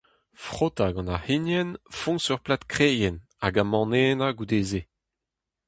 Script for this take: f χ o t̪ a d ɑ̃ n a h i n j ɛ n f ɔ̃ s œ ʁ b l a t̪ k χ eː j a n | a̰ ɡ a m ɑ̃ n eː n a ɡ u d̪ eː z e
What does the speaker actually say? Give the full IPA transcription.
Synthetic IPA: f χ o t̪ a ɡ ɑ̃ n a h i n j ɛ n f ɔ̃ s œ ʁ p l a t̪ k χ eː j ɛ n | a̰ ɡ a m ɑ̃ n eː n a ɡ u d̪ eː z e